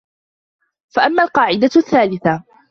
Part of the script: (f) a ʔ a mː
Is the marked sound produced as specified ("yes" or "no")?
yes